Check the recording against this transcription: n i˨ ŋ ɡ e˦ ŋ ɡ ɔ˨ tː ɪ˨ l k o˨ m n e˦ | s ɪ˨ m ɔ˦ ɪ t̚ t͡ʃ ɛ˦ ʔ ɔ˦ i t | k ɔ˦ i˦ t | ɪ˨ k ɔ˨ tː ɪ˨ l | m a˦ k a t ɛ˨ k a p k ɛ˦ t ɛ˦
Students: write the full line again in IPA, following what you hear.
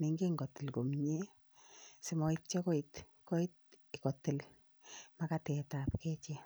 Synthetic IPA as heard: n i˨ ŋ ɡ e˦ ŋ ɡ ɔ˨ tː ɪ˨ l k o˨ m ɲ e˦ | s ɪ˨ m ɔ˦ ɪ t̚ t͡ʃ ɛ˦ k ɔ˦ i t | k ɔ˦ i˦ t | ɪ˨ k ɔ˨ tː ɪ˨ l | m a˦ k a t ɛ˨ t a p k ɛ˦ t͡ʃ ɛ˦